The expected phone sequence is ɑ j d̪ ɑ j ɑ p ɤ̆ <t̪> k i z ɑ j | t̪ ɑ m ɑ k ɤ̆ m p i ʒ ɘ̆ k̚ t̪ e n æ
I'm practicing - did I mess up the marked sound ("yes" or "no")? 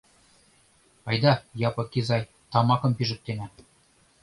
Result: yes